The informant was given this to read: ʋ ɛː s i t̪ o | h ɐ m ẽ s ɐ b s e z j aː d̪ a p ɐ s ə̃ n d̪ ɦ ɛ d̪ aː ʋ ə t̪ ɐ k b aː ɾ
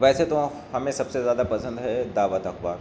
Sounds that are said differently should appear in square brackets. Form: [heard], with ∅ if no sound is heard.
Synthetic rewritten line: ʋ ɛː s [e] t̪ o | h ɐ m ẽ s ɐ b s e z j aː d̪ a p ɐ s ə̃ n d̪ ɦ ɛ d̪ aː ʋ ə t̪ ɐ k b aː ɾ

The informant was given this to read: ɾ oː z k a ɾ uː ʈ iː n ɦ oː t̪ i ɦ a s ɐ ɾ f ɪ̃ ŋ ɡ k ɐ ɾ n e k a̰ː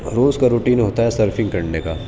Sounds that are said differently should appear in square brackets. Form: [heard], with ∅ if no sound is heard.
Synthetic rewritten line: ɾ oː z k a ɾ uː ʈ iː n ɦ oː t̪ [a] ɦ [ɛ] s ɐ ɾ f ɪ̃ ŋ ɡ k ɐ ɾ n e k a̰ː

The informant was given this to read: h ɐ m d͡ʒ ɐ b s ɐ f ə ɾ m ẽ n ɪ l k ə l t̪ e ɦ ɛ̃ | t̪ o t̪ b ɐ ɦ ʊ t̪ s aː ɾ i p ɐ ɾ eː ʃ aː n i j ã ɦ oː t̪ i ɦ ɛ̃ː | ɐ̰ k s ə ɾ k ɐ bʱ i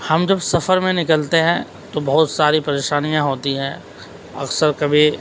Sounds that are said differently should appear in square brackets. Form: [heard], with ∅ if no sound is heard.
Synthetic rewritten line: h ɐ m d͡ʒ ɐ b s ɐ f ə ɾ m ẽ n ɪ [∅] k ə l t̪ e ɦ ɛ̃ | t̪ o [∅] b ɐ ɦ ʊ t̪ s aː ɾ i p ɐ ɾ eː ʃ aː n i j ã ɦ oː t̪ i ɦ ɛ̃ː | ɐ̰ k s ə ɾ k ɐ bʱ i

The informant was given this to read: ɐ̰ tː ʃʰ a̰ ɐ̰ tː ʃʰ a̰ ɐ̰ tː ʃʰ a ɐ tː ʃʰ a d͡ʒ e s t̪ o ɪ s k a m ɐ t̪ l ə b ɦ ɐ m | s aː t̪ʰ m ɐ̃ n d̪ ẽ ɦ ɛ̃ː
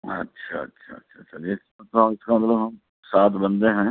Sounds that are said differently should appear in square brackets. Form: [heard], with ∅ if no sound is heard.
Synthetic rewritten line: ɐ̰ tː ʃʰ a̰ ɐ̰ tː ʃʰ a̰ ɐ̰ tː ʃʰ a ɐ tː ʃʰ a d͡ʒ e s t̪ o ɪ s k a m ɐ t̪ l ə b ɦ ɐ m | s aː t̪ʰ [b] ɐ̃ n d̪ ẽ ɦ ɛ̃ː

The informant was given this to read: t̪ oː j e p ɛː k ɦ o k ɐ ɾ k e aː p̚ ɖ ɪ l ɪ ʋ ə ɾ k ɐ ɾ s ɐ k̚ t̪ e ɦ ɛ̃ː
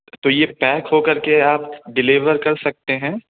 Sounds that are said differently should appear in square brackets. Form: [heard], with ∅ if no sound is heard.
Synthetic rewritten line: t̪ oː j e p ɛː k ɦ o k ɐ ɾ k e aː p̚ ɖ ɪ l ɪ ʋ ə ɾ k ɐ ɾ s ɐ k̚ t̪ e ɦ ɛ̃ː

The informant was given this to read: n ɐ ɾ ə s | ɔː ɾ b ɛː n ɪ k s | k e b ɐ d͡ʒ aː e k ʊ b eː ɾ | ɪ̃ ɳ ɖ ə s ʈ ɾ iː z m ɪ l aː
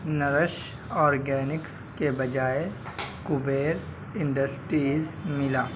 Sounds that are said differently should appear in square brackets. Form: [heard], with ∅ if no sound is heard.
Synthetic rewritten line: n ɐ ɾ ə [ʃ] | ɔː ɾ [ɡ] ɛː n ɪ k s | k e b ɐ d͡ʒ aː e k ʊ b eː ɾ | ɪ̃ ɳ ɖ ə s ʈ ɾ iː z m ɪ l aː

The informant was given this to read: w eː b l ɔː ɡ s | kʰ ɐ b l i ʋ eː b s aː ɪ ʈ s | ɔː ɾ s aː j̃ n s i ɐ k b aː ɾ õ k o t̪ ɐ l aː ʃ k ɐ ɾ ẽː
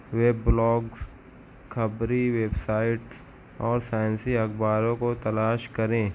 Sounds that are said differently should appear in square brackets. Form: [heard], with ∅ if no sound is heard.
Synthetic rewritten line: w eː b l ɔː ɡ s | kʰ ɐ b [ɾ] i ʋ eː b s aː ɪ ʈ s | ɔː ɾ s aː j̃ n s i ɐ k b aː ɾ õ k o t̪ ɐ l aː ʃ k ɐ ɾ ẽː

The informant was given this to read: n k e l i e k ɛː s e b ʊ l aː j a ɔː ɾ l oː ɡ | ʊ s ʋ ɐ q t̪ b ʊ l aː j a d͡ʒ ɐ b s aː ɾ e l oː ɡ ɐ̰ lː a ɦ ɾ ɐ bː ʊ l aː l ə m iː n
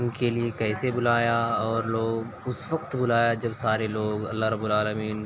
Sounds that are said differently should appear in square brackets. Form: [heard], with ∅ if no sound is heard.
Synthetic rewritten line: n k e l i e k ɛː s e b ʊ l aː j a ɔː ɾ l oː ɡ | ʊ s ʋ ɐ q t̪ b ʊ l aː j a d͡ʒ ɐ b s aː ɾ e l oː ɡ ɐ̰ lː a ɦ ɾ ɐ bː ʊ l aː l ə m iː n

